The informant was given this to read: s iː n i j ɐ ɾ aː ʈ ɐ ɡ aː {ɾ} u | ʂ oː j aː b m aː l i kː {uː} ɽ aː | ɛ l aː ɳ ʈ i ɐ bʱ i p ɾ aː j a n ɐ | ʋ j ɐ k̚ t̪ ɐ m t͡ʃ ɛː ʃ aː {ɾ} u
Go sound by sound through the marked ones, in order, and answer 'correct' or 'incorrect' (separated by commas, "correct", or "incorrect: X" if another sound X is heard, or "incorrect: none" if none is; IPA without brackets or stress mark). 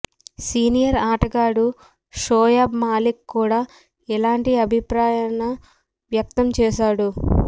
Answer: incorrect: ɽ, correct, incorrect: ɽ